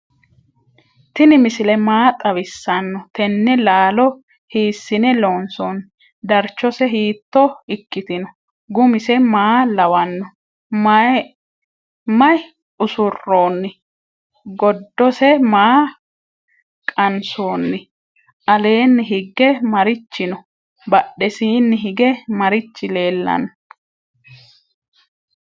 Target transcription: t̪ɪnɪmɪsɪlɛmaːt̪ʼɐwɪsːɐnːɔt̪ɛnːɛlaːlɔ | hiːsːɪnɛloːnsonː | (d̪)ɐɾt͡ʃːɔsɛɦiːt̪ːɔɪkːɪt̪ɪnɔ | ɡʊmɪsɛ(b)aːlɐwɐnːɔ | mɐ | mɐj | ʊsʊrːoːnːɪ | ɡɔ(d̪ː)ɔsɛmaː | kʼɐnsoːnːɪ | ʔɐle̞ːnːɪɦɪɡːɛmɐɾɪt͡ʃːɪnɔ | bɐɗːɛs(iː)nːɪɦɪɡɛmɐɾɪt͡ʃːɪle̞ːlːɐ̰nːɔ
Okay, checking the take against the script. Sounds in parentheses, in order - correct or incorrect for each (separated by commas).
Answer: correct, incorrect, correct, correct